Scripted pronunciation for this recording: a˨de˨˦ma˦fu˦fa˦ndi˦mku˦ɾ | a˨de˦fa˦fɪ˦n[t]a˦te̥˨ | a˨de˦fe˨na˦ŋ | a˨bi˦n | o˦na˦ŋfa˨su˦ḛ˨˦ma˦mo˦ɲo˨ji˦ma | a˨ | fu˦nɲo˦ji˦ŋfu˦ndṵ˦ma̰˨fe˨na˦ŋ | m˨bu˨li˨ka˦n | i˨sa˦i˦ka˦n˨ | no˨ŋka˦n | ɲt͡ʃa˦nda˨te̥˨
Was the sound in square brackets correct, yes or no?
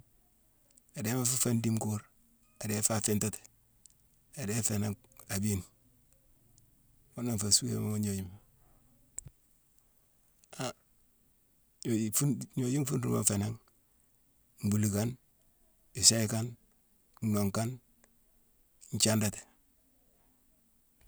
yes